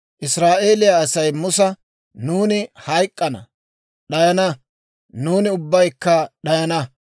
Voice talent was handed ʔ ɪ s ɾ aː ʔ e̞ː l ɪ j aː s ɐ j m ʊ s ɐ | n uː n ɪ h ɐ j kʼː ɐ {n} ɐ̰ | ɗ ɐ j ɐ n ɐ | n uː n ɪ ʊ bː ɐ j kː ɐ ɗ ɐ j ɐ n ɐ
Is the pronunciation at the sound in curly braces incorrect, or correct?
correct